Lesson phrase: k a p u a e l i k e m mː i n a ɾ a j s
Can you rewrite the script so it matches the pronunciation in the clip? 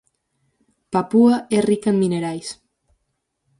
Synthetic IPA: p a p u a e r i k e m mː i n e ɾ a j s